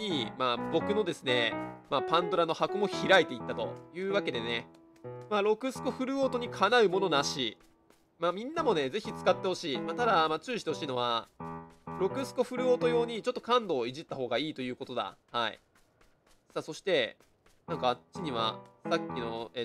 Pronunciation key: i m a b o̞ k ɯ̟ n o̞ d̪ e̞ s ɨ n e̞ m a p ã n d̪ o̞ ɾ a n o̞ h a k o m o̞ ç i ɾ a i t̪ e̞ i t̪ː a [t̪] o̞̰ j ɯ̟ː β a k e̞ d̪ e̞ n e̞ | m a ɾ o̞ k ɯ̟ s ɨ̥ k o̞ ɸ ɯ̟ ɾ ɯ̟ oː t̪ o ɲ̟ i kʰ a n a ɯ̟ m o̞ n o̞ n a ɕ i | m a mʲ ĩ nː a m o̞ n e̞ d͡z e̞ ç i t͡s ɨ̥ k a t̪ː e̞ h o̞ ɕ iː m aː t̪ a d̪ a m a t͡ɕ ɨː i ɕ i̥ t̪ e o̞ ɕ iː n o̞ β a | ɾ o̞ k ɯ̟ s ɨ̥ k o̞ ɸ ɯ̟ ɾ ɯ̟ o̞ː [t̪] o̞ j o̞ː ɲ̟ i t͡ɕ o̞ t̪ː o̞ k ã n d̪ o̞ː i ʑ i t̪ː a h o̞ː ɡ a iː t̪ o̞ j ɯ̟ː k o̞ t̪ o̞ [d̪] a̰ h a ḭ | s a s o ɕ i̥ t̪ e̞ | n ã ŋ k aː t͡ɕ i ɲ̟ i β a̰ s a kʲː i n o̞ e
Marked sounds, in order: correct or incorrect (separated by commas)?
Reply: correct, correct, correct